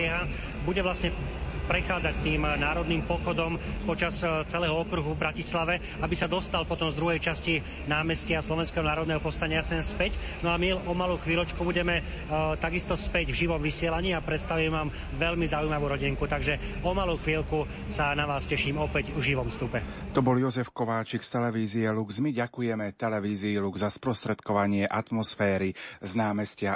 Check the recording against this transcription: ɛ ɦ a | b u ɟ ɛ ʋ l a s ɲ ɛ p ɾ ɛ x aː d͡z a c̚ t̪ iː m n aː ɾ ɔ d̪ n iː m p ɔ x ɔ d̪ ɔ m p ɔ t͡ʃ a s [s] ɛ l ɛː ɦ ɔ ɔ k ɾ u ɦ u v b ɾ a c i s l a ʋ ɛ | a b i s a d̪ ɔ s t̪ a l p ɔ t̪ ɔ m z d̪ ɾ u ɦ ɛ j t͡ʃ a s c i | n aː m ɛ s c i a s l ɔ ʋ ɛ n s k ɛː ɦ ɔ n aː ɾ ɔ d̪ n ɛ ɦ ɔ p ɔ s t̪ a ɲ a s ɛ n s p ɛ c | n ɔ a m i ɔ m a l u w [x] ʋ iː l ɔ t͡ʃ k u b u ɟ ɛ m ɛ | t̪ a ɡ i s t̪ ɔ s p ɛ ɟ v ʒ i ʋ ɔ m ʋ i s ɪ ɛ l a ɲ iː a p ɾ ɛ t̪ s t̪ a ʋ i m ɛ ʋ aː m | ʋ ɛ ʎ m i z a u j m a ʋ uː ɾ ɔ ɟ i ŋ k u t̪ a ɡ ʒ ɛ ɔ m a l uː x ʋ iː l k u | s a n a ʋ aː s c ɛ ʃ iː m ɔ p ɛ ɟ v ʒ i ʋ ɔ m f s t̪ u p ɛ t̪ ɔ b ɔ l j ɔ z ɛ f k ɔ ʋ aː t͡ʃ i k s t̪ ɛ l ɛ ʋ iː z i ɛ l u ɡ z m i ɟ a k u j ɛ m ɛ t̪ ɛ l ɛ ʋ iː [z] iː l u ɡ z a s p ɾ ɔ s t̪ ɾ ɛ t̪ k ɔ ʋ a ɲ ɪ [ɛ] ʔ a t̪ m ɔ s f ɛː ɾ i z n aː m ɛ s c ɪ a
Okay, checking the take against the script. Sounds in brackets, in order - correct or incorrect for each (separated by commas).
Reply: incorrect, correct, correct, correct